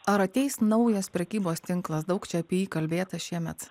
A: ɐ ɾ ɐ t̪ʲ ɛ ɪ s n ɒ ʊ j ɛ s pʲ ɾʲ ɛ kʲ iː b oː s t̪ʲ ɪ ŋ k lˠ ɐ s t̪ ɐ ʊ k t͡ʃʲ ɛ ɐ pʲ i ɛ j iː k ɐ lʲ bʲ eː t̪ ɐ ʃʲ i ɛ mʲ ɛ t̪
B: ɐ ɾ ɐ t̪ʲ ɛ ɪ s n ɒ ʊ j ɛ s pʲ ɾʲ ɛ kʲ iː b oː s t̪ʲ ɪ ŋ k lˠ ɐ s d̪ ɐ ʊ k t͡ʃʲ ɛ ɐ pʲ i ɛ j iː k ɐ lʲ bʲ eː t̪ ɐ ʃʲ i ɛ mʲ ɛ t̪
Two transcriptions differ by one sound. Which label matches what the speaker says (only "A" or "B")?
B